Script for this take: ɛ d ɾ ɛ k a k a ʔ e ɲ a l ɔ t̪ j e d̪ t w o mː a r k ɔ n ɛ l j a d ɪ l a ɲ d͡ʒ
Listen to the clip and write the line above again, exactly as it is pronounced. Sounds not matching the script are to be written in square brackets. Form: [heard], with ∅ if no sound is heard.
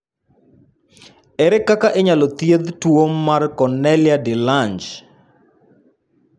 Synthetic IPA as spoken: ɛ [∅] ɾ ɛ k a k a ʔ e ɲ a l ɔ t̪ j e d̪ t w o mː a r k ɔ n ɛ l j a d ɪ l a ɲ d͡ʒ